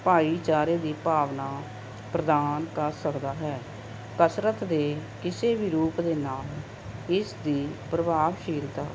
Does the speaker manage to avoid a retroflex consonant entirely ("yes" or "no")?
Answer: yes